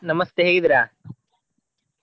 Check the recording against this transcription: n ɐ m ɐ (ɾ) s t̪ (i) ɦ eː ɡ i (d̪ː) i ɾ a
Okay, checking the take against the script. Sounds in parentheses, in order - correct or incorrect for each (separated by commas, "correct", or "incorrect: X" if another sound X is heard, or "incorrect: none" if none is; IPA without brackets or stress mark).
incorrect: none, incorrect: e, incorrect: d̪